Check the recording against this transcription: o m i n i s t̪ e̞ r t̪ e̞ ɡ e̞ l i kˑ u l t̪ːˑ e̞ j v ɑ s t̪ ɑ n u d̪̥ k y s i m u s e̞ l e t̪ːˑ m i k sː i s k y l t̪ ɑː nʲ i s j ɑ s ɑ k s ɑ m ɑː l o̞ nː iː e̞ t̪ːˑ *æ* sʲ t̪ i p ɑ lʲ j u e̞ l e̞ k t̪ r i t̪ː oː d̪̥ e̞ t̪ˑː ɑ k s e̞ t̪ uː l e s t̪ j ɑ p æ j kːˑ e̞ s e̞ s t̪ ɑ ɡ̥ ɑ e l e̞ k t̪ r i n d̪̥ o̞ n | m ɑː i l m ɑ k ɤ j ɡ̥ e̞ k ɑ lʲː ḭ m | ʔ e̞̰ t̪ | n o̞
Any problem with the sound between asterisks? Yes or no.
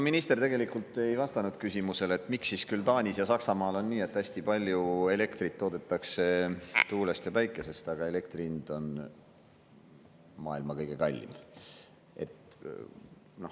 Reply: no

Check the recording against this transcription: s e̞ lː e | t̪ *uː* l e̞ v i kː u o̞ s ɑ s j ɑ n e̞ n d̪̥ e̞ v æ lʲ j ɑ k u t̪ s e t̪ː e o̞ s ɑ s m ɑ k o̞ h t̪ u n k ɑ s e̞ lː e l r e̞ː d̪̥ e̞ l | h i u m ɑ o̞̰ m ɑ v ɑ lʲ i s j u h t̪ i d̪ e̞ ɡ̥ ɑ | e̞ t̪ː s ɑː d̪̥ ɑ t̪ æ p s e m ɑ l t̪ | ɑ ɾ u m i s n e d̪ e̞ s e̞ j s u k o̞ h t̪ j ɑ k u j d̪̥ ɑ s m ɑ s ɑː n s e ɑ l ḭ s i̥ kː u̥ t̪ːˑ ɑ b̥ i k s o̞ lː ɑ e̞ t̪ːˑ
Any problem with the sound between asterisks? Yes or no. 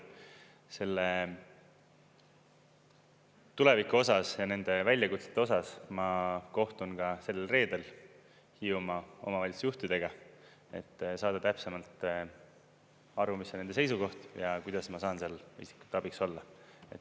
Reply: yes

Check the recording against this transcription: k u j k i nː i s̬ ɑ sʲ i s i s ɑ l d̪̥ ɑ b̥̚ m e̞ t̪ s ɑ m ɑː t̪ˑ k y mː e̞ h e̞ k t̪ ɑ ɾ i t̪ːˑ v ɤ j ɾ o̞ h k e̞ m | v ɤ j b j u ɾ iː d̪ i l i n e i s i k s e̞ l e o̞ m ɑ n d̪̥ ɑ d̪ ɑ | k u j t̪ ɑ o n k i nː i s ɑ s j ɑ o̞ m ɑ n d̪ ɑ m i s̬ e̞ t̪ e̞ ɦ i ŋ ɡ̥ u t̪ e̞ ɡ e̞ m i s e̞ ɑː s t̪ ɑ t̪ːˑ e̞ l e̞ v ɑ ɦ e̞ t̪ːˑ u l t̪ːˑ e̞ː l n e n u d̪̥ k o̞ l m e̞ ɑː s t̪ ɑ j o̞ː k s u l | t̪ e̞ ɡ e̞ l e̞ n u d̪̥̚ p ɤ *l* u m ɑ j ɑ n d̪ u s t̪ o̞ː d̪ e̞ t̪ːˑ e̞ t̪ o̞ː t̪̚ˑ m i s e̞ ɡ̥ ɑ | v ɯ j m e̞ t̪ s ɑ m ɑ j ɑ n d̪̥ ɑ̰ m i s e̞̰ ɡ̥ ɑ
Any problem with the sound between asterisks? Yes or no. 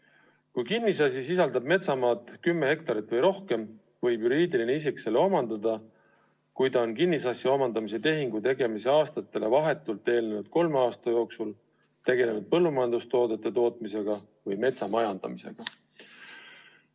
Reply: yes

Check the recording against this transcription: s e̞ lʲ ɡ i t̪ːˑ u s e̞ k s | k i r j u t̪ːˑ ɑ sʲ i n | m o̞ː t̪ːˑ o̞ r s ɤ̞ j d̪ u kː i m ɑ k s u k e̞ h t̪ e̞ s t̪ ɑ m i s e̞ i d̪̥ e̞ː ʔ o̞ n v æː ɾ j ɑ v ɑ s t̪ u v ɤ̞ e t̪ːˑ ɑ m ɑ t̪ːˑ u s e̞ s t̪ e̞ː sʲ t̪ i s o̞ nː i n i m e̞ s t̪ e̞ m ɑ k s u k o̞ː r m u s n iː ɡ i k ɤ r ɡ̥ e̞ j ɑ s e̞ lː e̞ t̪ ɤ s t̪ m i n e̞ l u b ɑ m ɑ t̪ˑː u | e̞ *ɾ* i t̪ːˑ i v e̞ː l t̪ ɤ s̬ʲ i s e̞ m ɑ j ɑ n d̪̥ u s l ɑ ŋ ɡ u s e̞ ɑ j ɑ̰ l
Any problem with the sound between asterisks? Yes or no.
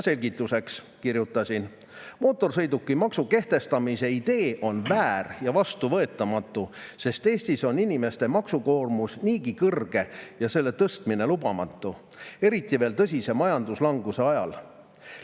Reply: no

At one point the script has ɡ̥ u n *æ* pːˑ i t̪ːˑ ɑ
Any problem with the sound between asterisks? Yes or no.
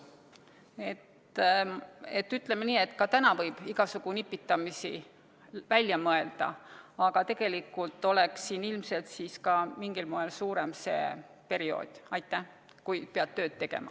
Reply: yes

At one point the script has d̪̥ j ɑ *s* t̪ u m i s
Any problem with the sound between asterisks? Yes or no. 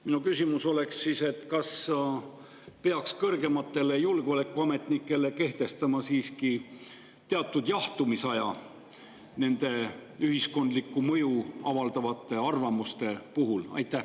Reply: yes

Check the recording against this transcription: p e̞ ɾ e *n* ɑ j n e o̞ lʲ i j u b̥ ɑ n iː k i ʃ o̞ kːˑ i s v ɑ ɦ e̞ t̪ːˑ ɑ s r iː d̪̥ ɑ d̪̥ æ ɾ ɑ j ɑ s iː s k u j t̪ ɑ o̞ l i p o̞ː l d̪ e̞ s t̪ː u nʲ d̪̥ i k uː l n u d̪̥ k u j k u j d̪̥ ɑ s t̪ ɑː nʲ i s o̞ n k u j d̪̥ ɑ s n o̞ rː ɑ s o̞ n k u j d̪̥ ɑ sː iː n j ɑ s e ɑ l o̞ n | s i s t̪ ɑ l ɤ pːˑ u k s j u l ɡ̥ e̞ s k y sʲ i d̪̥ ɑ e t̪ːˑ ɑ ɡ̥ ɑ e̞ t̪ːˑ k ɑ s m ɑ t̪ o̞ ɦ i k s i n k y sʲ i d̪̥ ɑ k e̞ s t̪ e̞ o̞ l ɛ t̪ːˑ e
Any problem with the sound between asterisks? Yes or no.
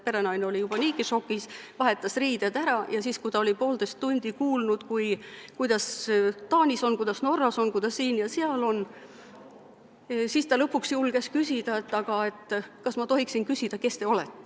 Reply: no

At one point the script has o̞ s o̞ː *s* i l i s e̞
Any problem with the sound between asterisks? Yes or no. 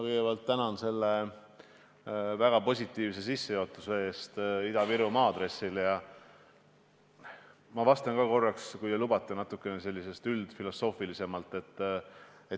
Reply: yes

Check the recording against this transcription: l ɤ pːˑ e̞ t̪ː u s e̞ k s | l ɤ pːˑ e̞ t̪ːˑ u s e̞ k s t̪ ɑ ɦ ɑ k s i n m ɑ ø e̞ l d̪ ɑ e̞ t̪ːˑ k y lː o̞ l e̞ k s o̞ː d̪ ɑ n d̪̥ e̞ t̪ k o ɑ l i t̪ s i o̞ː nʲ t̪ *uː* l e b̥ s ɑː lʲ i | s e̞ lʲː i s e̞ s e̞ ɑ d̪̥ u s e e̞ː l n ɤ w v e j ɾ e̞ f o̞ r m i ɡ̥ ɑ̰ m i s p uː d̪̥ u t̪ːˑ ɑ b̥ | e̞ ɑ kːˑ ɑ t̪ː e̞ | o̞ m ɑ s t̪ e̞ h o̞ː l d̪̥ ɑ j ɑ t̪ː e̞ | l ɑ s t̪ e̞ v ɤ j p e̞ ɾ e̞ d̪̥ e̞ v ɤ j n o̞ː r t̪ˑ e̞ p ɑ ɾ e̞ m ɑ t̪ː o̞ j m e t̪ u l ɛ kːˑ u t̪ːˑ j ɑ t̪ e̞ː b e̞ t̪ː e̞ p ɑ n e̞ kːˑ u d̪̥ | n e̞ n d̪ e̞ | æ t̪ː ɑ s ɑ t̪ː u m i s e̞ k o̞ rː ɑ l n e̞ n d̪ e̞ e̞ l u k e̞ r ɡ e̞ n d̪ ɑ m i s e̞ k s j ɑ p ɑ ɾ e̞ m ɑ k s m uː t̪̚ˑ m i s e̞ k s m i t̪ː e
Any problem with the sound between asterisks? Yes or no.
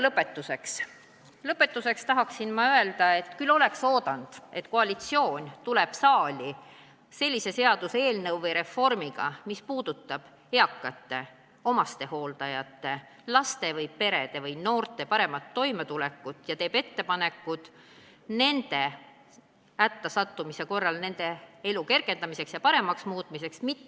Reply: yes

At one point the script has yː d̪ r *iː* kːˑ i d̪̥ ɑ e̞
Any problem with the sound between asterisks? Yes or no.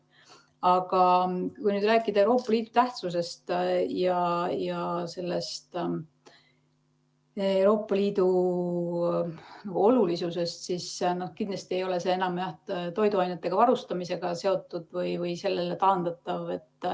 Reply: yes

